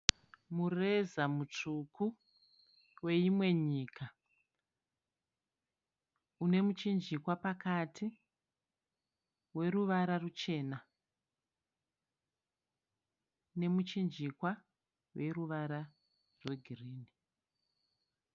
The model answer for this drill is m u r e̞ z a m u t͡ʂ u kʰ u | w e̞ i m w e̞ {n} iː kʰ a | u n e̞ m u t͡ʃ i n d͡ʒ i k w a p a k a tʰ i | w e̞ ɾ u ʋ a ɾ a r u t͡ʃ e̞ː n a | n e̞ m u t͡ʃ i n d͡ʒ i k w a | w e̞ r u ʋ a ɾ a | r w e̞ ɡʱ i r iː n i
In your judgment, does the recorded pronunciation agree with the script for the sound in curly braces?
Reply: no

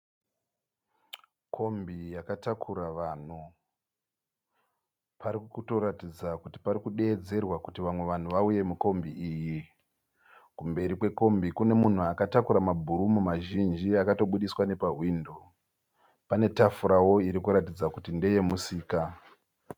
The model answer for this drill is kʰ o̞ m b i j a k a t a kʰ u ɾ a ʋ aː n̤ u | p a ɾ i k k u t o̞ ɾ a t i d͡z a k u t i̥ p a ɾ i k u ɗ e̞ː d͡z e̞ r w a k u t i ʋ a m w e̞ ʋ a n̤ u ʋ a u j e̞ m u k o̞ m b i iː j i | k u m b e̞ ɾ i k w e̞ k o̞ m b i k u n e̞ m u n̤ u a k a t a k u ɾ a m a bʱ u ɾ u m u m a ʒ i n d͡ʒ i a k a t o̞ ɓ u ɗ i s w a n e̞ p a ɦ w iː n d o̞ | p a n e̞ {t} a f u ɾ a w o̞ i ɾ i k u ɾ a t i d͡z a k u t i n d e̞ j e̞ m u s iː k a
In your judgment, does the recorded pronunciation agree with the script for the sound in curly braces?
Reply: yes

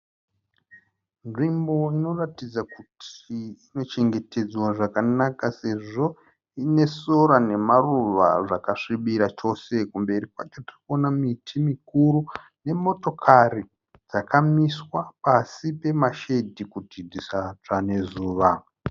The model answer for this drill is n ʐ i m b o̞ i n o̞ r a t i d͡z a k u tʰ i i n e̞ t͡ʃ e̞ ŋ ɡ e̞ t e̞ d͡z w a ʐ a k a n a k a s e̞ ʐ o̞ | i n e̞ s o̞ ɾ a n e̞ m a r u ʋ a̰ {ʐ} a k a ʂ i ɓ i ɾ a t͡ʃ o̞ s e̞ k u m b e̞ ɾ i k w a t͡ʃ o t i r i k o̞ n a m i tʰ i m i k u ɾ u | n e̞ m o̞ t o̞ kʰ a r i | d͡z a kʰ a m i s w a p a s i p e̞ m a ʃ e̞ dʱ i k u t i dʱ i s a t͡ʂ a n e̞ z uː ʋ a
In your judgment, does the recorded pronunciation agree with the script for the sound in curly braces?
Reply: yes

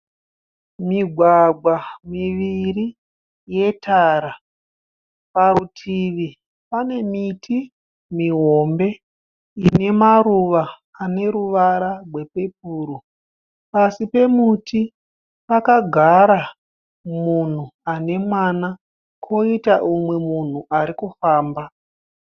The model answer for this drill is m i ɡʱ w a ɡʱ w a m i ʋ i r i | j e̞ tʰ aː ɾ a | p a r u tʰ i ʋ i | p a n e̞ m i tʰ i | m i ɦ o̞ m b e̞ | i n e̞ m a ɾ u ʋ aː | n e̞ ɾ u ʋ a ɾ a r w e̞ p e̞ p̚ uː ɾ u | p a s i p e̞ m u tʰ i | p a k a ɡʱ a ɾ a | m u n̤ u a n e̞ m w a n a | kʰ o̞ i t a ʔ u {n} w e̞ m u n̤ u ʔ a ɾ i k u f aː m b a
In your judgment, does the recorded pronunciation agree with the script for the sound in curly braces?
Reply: no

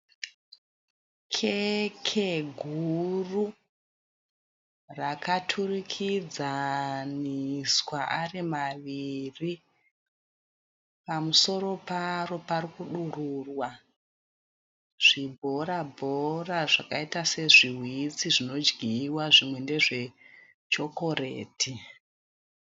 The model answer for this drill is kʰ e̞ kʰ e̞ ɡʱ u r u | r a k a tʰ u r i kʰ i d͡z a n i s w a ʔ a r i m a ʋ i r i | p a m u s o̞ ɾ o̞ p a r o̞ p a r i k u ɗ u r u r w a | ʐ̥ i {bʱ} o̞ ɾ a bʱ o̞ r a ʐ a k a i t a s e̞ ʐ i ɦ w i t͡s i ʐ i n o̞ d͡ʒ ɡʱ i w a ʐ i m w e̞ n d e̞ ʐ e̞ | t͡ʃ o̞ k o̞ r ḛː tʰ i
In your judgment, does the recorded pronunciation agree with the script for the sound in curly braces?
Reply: yes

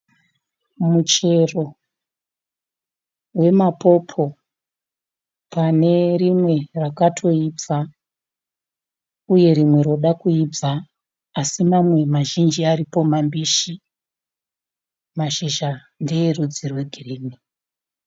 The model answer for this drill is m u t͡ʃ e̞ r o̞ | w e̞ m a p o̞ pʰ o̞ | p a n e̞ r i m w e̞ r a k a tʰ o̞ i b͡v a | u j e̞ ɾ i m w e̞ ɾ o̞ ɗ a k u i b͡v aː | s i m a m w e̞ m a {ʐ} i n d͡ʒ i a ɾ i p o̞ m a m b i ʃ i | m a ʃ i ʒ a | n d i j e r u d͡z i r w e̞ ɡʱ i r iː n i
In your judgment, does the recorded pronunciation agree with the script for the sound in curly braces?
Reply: no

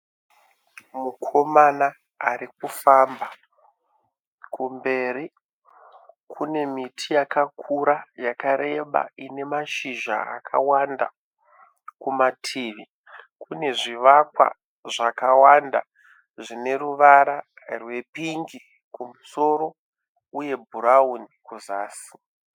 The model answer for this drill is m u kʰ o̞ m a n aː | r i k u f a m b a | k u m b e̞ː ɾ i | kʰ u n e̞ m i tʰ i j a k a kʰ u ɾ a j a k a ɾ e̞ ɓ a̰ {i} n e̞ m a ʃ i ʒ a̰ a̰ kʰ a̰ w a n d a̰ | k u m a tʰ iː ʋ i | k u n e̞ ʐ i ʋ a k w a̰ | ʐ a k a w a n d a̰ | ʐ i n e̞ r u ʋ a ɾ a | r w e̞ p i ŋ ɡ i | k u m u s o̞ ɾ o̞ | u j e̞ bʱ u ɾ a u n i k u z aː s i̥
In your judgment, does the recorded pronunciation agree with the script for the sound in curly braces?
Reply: yes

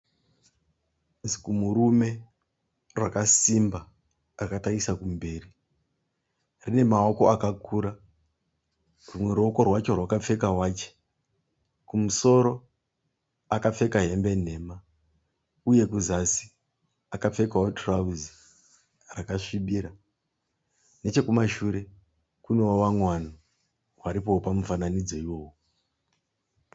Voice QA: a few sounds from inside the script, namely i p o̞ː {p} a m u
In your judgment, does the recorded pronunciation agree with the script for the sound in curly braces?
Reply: yes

